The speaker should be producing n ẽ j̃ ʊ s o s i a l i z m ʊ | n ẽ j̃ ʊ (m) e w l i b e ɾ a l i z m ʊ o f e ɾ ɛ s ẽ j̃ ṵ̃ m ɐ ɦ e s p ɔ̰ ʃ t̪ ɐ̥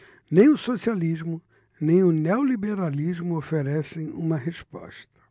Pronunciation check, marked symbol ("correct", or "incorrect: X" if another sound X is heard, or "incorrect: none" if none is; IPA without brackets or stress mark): incorrect: n